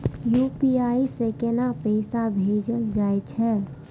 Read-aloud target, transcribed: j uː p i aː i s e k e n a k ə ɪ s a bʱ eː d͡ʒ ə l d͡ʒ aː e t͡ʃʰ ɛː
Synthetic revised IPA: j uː p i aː i s e k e n a p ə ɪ s a bʱ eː d͡ʒ ə l d͡ʒ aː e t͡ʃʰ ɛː